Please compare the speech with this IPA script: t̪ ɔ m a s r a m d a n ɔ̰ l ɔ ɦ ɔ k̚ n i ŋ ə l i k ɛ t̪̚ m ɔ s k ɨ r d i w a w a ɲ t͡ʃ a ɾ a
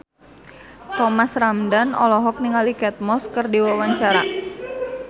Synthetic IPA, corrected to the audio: t̪ ɔ m a s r a m d a n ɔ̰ l ɔ ɦ ɔ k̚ n i ŋ a l i k ɛ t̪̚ m ɔ s k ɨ r d i w a w a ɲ t͡ʃ a ɾ a